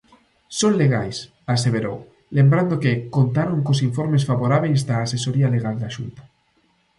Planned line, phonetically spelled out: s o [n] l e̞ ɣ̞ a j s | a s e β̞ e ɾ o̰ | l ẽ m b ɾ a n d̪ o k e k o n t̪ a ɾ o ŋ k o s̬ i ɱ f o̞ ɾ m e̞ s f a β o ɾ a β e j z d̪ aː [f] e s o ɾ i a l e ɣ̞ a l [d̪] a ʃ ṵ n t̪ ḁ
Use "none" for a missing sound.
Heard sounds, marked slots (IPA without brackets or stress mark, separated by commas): n, s, d̪